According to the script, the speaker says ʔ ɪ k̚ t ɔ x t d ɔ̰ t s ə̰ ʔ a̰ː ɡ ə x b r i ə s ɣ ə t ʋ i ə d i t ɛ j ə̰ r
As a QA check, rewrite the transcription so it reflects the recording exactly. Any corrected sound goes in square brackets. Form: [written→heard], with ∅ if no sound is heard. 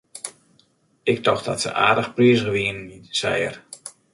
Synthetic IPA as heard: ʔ ɪ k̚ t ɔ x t d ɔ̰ t s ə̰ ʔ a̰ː [ɡ→d] ə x [b→p] r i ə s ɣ ə [t→∅] ʋ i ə [d→n] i [t→s] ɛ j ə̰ r